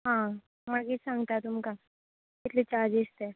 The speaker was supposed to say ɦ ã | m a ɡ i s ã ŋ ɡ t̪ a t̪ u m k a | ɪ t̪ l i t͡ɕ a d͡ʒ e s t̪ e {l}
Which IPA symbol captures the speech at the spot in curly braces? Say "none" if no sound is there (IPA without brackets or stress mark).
none